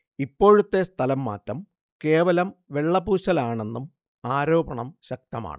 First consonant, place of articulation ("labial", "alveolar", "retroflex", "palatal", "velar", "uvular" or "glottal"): labial